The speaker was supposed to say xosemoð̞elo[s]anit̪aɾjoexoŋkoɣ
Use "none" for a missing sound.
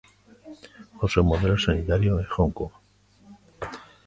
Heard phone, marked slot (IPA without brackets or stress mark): s